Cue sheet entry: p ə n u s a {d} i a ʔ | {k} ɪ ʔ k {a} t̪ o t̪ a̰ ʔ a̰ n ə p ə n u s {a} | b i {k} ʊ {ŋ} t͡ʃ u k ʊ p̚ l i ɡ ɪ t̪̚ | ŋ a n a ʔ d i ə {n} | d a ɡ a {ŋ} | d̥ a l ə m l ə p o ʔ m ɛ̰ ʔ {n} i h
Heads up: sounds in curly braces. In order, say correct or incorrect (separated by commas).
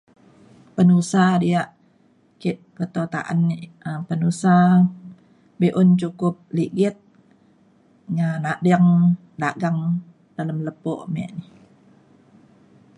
correct, correct, incorrect, correct, incorrect, incorrect, incorrect, correct, correct